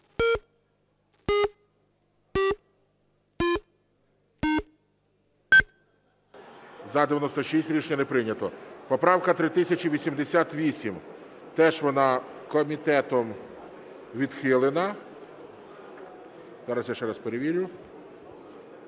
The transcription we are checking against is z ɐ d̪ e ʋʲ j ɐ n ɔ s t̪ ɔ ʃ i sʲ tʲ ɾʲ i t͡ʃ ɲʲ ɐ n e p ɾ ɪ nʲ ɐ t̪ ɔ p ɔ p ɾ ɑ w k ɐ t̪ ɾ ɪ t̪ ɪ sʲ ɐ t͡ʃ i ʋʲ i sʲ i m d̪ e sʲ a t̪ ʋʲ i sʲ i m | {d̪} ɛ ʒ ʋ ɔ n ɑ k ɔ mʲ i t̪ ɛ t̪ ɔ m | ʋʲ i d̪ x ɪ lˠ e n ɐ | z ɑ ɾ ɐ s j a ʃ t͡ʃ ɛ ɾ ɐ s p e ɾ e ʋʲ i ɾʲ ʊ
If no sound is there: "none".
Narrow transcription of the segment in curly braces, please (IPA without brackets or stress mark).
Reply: t̪